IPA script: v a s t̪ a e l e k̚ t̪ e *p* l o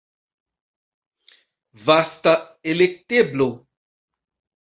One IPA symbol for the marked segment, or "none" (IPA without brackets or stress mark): b